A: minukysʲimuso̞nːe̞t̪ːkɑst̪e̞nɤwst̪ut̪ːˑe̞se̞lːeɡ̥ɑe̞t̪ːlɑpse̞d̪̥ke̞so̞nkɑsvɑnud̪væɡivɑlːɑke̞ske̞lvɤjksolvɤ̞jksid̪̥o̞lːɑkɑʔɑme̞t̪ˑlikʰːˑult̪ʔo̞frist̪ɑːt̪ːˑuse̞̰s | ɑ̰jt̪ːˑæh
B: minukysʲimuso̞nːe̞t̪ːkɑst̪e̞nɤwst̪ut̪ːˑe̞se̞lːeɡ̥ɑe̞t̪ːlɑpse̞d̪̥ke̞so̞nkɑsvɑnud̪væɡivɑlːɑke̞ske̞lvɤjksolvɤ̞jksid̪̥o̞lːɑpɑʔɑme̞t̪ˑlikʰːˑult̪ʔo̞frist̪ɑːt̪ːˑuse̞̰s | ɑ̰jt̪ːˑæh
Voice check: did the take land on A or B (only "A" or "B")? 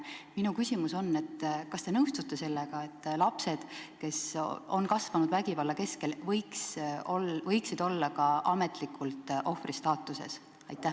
A